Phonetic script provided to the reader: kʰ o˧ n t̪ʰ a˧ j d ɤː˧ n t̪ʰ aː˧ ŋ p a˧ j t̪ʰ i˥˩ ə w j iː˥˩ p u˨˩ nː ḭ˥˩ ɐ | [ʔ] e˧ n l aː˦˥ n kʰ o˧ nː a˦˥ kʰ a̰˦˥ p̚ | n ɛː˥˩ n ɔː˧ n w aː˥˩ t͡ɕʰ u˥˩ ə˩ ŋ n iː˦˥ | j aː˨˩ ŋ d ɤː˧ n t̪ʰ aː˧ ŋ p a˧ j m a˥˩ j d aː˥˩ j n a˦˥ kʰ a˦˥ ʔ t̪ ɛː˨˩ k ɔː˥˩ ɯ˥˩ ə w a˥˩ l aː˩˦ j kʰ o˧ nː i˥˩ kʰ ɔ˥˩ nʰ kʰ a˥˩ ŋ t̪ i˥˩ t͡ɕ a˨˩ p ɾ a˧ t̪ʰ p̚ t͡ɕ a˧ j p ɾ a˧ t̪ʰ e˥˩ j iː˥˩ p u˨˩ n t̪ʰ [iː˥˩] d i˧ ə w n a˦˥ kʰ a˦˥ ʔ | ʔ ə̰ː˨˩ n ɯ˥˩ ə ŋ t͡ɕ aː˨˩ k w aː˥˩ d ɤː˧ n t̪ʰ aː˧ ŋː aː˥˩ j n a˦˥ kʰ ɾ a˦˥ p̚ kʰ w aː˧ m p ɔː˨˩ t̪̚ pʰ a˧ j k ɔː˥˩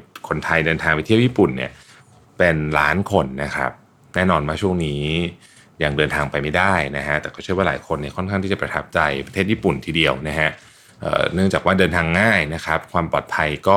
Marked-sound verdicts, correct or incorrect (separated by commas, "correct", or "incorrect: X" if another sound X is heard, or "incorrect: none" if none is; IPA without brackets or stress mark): incorrect: p, incorrect: iː˧